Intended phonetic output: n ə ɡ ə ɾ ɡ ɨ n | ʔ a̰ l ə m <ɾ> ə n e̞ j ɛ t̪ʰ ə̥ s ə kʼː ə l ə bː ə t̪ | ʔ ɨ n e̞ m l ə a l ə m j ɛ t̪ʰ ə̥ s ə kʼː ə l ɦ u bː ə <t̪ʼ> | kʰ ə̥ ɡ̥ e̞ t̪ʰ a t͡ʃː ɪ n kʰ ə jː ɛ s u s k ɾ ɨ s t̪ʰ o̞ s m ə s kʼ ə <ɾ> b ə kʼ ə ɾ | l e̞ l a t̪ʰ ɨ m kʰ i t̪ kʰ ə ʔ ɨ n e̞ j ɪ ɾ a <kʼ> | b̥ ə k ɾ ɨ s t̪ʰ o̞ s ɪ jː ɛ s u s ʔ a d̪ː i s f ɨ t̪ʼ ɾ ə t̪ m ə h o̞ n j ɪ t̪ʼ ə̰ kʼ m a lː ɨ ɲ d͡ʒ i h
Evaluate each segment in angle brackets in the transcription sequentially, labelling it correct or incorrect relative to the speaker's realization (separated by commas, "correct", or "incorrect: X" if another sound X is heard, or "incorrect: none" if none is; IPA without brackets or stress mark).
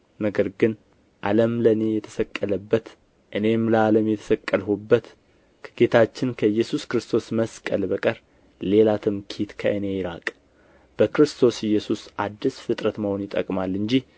incorrect: l, incorrect: t̪, incorrect: l, correct